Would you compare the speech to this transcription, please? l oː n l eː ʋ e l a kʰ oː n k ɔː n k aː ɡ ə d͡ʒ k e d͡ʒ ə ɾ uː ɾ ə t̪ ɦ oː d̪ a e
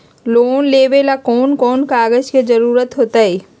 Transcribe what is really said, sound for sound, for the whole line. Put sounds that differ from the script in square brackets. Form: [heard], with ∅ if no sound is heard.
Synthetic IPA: l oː n l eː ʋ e l a [k] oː n k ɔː n k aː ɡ ə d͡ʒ k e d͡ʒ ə ɾ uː ɾ ə t̪ ɦ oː [t̪] a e

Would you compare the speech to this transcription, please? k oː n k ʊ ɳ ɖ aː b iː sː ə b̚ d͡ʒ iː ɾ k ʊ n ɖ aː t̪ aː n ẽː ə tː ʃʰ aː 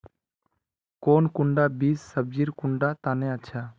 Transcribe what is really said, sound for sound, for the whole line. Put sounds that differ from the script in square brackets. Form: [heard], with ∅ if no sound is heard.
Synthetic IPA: k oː n k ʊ ɳ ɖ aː b iː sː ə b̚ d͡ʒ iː ɾ k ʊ [ɳ] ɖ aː t̪ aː n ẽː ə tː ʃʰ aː

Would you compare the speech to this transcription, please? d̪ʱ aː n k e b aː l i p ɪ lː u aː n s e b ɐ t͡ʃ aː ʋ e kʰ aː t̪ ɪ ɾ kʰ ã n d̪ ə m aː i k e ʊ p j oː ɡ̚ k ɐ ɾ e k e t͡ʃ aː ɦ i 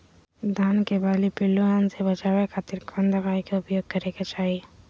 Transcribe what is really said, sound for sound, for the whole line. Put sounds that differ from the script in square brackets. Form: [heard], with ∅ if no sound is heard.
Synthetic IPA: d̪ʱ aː n k e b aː l i p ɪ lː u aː n s e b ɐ t͡ʃ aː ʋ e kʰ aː t̪ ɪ ɾ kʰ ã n d̪ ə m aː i k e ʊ p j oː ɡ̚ k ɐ ɾ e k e t͡ʃ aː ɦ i

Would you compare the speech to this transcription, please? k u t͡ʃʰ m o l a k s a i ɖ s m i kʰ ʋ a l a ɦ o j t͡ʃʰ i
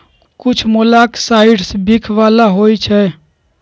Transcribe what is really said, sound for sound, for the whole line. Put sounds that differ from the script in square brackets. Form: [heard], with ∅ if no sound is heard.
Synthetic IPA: k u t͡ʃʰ m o l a k s a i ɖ s [b] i kʰ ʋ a l a ɦ o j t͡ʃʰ [ɛ]

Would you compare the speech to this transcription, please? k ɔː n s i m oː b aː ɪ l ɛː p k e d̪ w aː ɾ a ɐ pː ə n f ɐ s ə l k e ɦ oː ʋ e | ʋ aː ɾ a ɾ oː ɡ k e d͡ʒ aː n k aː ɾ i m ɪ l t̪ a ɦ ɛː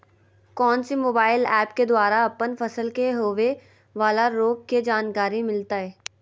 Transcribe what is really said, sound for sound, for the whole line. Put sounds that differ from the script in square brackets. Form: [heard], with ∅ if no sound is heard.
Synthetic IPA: k ɔː n s i m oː b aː ɪ l ɛː p k e d̪ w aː ɾ a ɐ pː ə n f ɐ s ə l k e ɦ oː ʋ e | ʋ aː [l] a ɾ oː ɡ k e d͡ʒ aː n k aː ɾ i m ɪ l t̪ a ɦ ɛː

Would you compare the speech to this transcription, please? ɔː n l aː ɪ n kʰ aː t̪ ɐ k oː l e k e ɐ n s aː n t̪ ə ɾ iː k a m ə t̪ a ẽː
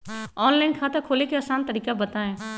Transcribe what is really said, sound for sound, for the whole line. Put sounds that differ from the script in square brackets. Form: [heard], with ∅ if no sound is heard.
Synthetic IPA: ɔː n l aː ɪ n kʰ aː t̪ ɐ [kʰ] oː l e k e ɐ [∅] s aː n t̪ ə ɾ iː k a [b] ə t̪ a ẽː

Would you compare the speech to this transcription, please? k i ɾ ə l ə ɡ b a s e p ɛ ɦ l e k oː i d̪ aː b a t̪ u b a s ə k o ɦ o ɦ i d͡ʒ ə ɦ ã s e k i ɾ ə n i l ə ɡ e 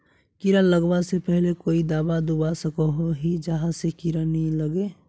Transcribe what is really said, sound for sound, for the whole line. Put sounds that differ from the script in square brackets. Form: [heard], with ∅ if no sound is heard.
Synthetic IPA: k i ɾ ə l ə ɡ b a s e p ɛ ɦ l e k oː i d̪ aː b a [d̪] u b a s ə k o ɦ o ɦ i d͡ʒ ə ɦ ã s e k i ɾ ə n i l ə ɡ e

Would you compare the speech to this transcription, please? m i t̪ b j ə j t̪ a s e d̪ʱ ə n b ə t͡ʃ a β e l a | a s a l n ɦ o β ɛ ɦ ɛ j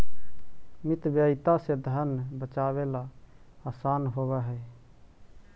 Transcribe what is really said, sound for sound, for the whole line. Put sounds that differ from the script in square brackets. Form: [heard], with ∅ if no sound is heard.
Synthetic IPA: m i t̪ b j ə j t̪ a s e d̪ʱ ə n b ə t͡ʃ a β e l a | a s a [∅] n ɦ o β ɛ ɦ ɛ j

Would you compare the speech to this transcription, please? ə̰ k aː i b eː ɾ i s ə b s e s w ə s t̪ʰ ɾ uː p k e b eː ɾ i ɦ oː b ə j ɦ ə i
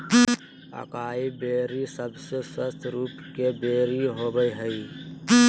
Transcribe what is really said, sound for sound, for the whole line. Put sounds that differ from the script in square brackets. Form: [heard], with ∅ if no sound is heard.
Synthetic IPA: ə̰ k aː i b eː ɾ i s ə b s e s w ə s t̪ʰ ɾ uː p k e b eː ɾ i ɦ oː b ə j ɦ ə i

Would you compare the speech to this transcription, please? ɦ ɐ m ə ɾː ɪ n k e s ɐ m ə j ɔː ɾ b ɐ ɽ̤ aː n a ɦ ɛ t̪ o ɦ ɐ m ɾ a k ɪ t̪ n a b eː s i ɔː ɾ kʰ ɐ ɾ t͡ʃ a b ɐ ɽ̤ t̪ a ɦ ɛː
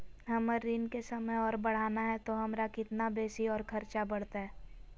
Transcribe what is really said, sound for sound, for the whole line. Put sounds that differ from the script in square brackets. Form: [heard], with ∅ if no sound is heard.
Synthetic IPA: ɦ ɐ m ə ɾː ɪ n k e s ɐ m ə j ɔː ɾ b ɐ ɽ̤ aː n a ɦ ɛ t̪ o ɦ ɐ m ɾ a k ɪ t̪ n a b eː s i ɔː ɾ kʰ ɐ ɾ t͡ʃ a b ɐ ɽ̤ t̪ a ɦ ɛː

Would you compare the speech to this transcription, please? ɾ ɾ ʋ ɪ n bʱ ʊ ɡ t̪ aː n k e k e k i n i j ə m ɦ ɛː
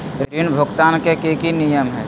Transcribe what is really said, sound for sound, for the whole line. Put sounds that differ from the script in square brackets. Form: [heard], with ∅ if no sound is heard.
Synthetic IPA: ɾ ɾ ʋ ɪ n bʱ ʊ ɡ t̪ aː n k e k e k i n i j ə m ɦ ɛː

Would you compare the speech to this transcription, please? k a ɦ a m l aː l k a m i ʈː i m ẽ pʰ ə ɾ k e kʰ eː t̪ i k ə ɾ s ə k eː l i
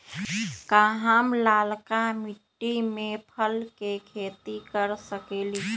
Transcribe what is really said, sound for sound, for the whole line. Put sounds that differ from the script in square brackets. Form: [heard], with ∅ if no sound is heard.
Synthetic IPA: k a ɦ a m l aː l k a m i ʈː i m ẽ pʰ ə [l] k e kʰ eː t̪ i k ə ɾ s ə k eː l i

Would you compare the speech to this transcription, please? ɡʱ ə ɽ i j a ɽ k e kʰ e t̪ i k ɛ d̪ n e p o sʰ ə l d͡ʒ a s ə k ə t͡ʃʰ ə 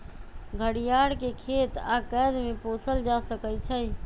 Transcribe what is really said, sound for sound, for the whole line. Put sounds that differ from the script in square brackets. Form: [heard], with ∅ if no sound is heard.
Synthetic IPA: ɡʱ ə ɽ i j a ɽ k e kʰ e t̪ [a] k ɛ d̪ [m] e p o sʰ ə l d͡ʒ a s ə k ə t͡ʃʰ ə

